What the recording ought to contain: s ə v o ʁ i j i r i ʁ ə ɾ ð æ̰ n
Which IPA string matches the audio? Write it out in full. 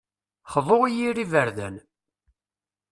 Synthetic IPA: χ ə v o ʁ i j i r i v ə ɾ ð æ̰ n